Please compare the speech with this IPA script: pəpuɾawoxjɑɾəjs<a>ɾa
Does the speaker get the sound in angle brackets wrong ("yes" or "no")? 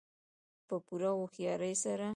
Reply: no